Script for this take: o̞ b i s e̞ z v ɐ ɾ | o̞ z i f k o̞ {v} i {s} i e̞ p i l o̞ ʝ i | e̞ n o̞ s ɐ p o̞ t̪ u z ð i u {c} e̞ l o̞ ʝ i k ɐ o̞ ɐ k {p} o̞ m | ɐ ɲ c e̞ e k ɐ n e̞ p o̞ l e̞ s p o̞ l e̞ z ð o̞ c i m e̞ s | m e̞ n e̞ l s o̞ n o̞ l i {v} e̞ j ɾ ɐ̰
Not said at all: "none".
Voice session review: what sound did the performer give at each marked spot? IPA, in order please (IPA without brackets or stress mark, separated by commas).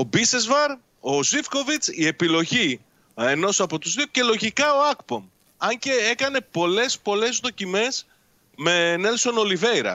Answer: v, t͡s, c, p, v